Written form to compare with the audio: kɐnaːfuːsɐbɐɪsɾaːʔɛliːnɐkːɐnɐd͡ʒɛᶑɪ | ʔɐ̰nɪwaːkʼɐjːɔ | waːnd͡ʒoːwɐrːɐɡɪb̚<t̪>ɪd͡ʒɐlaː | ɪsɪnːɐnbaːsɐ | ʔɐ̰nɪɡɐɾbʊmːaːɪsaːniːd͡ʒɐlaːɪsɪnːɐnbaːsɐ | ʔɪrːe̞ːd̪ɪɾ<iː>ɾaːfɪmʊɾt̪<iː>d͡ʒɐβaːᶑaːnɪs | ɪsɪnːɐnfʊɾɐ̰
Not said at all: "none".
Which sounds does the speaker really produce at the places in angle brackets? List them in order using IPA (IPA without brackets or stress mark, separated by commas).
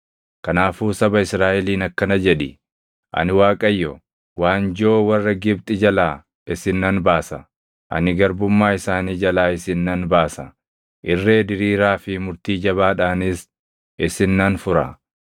t̪ʼ, iː, iː